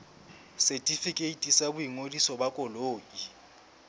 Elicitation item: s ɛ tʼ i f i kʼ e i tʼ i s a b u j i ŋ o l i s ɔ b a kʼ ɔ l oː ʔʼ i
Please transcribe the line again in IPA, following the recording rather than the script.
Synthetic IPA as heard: s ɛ tʼ i f i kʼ e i tʼ i s a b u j i ŋ o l i s ɔ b a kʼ ɔ l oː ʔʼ i